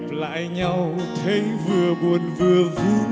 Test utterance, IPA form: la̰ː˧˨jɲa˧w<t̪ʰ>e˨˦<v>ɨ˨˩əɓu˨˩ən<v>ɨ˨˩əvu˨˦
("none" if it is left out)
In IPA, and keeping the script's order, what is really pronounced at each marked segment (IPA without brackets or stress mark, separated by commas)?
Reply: t̪ʰ, v, v